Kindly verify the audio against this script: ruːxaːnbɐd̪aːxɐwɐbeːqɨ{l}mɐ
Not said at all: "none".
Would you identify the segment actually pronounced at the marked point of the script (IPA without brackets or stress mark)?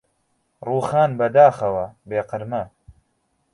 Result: ɾ